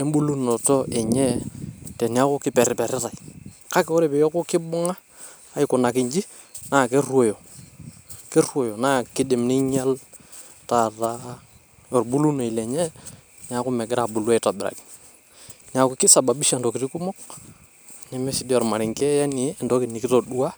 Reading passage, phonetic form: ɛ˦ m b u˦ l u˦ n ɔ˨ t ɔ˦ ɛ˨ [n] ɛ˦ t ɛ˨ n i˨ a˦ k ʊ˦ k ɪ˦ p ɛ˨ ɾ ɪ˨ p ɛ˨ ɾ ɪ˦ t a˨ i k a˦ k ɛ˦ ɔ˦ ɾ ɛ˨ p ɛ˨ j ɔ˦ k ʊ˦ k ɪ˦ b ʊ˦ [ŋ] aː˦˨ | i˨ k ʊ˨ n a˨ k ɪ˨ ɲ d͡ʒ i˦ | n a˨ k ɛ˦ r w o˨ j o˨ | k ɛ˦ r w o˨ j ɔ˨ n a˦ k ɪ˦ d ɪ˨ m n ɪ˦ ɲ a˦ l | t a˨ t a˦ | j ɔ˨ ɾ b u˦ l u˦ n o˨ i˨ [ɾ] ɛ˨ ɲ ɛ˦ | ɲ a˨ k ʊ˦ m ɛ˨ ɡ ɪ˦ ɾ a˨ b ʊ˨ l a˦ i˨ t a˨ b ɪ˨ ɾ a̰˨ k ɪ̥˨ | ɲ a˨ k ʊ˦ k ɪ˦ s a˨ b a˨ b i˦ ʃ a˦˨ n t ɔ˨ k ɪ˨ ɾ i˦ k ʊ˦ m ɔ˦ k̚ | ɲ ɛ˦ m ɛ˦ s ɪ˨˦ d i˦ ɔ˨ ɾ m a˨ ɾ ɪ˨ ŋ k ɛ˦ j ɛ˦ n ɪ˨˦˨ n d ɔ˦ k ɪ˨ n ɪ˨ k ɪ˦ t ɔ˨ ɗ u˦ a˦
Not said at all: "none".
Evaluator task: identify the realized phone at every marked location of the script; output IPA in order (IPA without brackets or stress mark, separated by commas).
ɲ, ŋ, l